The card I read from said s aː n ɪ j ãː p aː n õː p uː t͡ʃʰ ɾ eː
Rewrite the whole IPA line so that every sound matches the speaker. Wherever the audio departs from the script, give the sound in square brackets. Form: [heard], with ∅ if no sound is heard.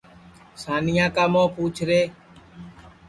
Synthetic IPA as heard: s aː n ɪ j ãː [k] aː [m] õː p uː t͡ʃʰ ɾ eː